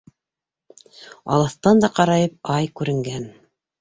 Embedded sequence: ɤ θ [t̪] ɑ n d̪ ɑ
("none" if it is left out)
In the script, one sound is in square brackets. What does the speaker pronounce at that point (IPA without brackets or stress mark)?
t̪